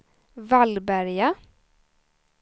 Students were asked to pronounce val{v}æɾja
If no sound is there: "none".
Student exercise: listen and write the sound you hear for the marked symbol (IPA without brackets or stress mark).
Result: b